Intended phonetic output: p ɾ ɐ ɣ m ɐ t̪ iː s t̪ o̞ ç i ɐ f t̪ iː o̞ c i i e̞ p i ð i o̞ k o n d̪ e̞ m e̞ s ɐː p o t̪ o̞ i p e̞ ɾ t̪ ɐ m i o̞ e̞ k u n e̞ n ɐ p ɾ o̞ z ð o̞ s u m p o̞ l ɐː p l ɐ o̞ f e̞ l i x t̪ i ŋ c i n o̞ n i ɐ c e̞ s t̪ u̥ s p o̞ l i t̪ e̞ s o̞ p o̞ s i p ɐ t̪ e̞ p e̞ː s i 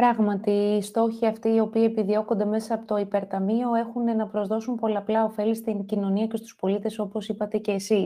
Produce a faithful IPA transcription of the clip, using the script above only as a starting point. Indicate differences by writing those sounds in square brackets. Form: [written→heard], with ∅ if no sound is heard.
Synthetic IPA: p ɾ ɐ ɣ m ɐ t̪ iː s t̪ o̞ ç i ɐ f t̪ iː o̞ [c→p] i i e̞ p i ð i o̞ k o n d̪ e̞ m e̞ s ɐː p o t̪ o̞ i p e̞ ɾ t̪ ɐ m i o̞ e̞ [k→x] u n e̞ n ɐ p ɾ o̞ z ð o̞ s u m p o̞ l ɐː p l ɐ o̞ f e̞ l i [x→s] t̪ i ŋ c i n o̞ n i ɐ c e̞ s t̪ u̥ s p o̞ l i t̪ e̞ s o̞ p o̞ s i p ɐ t̪ e̞ [p→c] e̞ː s i